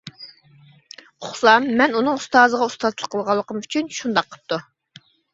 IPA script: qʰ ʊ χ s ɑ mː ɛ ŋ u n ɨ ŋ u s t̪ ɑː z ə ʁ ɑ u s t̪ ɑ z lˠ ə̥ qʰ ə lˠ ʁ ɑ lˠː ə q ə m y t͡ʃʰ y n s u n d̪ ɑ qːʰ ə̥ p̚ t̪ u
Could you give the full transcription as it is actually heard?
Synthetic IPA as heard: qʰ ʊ χ s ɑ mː ɛ n u n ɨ ŋ u s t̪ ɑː z ə ʁ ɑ u s t̪ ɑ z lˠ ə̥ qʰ ə lˠ ʁ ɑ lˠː ə q ə m y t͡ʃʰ y n ʃ u n d̪ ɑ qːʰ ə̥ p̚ t̪ u